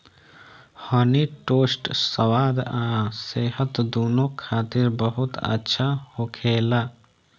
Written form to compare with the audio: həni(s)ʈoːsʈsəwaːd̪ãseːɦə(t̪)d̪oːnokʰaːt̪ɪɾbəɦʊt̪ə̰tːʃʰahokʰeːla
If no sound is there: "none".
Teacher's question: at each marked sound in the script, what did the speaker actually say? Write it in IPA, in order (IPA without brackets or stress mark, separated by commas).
none, t̪